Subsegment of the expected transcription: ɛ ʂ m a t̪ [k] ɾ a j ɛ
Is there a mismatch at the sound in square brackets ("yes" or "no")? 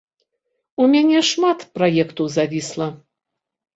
yes